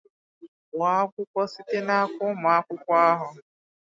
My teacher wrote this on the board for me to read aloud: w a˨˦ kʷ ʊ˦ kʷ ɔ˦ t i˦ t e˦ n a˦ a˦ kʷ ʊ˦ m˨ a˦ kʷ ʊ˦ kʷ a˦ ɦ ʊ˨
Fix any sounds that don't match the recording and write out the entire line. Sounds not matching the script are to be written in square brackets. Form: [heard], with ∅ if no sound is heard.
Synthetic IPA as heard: w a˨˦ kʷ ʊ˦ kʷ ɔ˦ [s] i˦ t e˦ n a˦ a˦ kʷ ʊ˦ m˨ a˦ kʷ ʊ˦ kʷ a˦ ɦ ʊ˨